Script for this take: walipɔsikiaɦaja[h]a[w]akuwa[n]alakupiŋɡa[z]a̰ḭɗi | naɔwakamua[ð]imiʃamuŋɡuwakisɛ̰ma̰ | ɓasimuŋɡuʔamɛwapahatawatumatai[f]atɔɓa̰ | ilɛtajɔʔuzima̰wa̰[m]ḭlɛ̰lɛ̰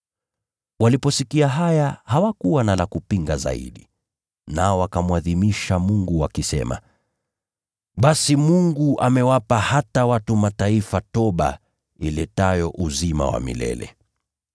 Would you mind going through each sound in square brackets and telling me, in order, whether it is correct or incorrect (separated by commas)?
correct, correct, correct, correct, correct, correct, correct